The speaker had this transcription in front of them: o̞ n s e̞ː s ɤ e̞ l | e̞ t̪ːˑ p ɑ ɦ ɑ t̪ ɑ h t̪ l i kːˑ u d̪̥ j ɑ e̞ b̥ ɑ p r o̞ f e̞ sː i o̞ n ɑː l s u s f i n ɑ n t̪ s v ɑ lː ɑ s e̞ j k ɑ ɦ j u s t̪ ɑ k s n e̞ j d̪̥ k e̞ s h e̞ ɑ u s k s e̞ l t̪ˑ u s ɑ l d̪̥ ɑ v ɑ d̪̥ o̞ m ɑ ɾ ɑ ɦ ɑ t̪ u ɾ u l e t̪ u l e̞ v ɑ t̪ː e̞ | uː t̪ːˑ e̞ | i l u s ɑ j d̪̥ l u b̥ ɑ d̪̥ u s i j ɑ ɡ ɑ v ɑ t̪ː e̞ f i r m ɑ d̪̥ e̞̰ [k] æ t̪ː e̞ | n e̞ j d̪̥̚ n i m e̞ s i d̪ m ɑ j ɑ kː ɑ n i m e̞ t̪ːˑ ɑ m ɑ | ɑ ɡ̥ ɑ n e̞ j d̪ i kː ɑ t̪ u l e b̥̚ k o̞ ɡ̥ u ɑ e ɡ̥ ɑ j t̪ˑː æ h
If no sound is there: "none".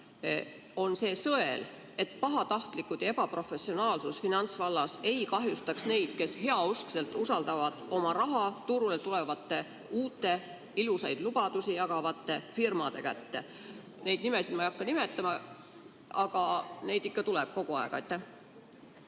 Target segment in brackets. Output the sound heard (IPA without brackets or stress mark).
k